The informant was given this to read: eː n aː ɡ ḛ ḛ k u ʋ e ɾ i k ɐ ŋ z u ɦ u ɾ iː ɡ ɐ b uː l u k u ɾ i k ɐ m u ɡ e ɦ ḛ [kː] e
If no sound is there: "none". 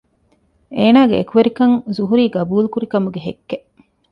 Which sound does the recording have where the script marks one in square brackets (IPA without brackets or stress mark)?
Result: kː